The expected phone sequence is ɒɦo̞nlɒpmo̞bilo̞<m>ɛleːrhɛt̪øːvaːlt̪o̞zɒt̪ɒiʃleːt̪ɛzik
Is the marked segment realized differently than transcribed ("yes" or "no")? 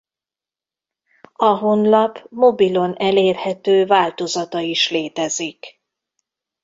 yes